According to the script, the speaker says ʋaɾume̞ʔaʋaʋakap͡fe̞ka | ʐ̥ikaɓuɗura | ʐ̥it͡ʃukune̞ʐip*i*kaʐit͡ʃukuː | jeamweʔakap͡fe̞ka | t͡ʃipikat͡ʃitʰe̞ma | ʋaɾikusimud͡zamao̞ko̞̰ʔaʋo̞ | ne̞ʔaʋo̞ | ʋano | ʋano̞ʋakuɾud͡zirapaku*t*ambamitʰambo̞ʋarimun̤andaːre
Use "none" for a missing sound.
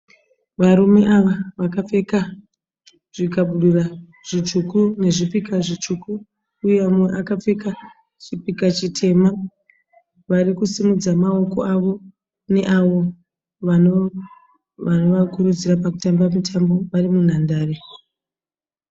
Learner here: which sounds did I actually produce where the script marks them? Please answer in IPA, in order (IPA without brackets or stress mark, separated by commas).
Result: i, t